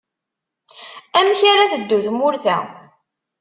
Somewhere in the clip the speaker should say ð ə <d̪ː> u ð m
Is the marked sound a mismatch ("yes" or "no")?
no